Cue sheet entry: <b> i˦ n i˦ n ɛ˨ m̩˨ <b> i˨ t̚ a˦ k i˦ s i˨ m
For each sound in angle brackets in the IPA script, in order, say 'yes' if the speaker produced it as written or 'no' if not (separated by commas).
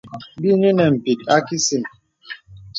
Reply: yes, no